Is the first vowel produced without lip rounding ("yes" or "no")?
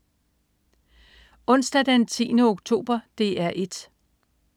no